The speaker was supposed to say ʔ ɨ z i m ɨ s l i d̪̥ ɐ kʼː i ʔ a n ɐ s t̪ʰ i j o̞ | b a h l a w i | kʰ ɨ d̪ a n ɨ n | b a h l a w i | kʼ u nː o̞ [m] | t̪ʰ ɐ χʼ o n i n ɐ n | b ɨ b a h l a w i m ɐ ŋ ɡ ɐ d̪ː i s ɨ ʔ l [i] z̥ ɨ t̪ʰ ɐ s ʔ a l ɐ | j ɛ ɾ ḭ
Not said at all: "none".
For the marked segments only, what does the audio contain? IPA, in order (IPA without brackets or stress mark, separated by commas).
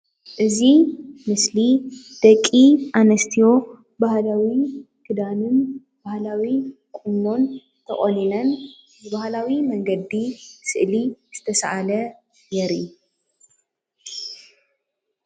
n, i